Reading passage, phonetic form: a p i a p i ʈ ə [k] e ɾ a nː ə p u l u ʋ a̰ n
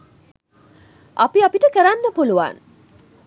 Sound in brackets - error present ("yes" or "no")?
no